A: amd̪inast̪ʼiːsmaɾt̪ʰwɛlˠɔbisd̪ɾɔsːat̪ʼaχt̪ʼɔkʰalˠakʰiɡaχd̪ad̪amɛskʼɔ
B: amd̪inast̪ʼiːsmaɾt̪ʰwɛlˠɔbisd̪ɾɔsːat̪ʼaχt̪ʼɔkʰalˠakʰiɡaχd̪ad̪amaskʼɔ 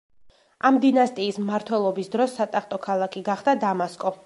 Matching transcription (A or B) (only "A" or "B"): B